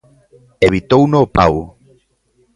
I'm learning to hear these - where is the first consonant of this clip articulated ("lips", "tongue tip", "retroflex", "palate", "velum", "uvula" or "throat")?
lips